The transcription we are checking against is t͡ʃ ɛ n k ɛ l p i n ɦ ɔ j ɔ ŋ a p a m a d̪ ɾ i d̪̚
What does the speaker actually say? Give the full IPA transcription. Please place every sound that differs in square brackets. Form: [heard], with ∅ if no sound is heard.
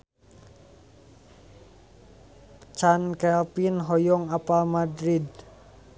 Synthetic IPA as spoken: t͡ʃ [a] n k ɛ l p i n ɦ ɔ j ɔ ŋ a p a m a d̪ ɾ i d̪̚